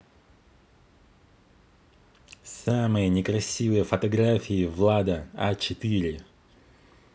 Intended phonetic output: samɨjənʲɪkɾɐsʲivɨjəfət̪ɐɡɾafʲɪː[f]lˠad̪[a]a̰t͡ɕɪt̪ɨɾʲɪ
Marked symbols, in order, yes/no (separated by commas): no, no